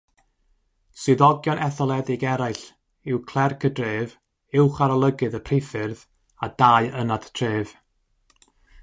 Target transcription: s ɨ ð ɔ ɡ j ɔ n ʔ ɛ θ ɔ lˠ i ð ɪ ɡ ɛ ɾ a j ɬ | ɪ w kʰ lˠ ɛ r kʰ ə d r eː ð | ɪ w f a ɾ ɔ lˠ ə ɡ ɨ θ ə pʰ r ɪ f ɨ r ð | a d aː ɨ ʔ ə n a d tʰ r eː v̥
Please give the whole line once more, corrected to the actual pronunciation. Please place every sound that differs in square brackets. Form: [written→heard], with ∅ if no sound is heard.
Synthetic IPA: s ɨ ð ɔ ɡ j ɔ n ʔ ɛ θ ɔ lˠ [i→ɛ] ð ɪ ɡ ɛ ɾ a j ɬ | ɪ w kʰ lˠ ɛ r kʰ ə d r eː [ð→v] | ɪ w [f→χ] a ɾ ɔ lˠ ə ɡ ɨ [θ→ð] ə pʰ r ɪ f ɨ r ð | a d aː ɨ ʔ ə n a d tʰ r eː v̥